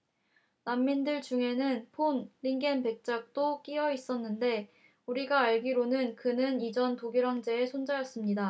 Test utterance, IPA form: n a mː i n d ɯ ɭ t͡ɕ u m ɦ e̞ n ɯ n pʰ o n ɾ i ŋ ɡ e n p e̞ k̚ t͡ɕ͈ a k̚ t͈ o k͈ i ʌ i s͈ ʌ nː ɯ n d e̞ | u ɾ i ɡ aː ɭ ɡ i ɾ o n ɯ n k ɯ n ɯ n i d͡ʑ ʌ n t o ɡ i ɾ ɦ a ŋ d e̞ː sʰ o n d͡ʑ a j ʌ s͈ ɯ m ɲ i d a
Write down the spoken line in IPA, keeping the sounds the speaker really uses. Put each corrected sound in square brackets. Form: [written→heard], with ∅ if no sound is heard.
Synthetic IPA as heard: n a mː i n d ɯ ɭ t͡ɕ u [m→ŋ] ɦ e̞ n ɯ n pʰ o n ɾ i ŋ ɡ e n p e̞ k̚ t͡ɕ͈ a k̚ t͈ o k͈ i ʌ i s͈ ʌ nː ɯ n d e̞ | u ɾ i ɡ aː ɭ ɡ i ɾ o n ɯ n k ɯ n ɯ n i d͡ʑ ʌ n t o ɡ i ɾ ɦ a ŋ [d→d͡ʑ] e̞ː sʰ o n d͡ʑ a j ʌ s͈ ɯ m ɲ i d a